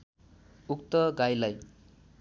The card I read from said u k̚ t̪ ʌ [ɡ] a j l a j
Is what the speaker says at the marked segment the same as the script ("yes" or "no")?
yes